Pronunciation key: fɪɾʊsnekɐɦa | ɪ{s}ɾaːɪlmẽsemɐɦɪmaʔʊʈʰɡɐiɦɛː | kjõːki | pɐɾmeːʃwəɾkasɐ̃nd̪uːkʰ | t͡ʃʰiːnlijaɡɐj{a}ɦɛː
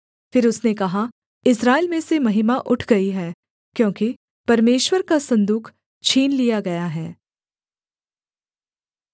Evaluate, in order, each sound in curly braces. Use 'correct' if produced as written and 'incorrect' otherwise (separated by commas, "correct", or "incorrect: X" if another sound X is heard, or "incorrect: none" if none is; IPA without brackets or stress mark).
correct, correct